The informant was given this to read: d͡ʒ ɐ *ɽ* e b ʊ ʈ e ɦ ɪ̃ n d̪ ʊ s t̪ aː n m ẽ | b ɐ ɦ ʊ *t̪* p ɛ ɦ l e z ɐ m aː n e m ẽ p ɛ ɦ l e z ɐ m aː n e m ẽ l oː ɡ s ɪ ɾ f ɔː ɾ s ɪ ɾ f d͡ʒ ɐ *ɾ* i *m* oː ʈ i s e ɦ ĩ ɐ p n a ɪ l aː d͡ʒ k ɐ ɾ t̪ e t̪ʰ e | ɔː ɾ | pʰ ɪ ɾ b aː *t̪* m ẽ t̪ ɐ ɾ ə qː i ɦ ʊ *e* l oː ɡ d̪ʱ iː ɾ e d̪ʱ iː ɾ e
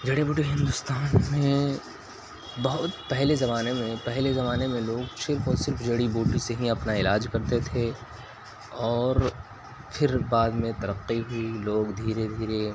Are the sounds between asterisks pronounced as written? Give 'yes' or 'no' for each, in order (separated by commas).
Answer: yes, yes, no, no, no, no